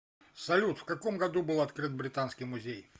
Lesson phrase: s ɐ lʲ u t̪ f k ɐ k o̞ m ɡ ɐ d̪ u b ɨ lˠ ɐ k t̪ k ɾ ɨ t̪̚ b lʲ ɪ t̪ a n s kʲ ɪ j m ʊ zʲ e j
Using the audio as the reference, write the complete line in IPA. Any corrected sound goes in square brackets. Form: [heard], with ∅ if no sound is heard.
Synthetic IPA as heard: s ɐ lʲ u t̪ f k ɐ k o̞ m ɡ ɐ d̪ u b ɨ lˠ ɐ [∅] t̪ k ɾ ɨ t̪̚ b [ɾʲ] ɪ t̪ a n s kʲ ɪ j m ʊ zʲ e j